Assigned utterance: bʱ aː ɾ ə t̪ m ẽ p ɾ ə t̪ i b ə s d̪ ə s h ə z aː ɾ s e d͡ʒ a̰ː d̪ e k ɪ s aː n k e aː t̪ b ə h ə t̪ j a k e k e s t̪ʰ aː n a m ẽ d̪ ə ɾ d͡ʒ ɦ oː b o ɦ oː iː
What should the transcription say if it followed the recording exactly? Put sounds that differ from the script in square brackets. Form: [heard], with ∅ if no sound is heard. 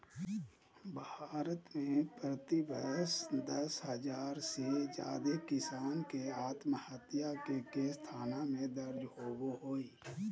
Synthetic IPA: bʱ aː ɾ ə t̪ m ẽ p ɾ ə t̪ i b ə s d̪ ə s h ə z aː ɾ s e d͡ʒ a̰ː d̪ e k ɪ s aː n k e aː t̪ [m] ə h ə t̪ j a k e k e s t̪ʰ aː n a m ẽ d̪ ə ɾ d͡ʒ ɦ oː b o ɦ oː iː